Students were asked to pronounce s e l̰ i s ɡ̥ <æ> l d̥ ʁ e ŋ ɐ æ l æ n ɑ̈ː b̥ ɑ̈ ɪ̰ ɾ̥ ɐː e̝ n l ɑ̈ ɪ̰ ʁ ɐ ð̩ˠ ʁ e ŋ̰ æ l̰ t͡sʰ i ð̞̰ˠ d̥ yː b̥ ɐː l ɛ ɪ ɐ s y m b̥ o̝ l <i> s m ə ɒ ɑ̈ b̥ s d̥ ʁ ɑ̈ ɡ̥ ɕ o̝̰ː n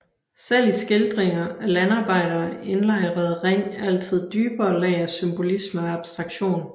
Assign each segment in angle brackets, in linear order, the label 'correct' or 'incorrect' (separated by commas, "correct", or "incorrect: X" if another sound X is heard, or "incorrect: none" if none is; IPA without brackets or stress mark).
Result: incorrect: e, correct